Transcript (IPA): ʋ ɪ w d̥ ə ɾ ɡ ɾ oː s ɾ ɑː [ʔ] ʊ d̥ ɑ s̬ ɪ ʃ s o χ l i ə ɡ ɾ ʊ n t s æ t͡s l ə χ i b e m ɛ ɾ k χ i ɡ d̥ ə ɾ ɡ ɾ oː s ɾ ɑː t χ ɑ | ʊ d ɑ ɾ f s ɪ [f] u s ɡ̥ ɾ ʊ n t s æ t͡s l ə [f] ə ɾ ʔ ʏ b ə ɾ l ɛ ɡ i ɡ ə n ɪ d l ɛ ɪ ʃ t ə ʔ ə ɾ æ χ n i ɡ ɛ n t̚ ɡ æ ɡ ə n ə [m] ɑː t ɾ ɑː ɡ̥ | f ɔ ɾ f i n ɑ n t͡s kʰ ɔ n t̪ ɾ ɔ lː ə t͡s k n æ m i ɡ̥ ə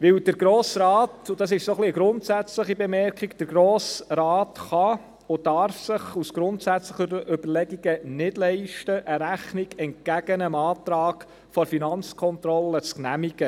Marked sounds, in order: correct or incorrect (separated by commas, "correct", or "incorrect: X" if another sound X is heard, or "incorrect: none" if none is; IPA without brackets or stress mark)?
incorrect: t, incorrect: χ, incorrect: χ, correct